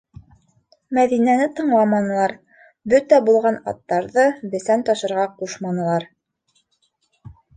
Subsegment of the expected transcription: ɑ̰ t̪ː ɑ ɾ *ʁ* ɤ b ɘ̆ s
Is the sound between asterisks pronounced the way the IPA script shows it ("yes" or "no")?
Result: no